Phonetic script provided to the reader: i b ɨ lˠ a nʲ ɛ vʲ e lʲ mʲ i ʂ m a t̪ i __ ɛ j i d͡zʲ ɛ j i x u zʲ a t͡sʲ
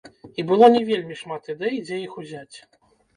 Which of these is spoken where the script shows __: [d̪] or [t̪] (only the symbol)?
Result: d̪